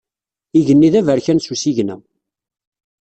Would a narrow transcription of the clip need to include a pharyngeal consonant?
no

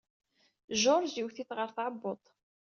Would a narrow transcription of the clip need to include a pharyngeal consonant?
yes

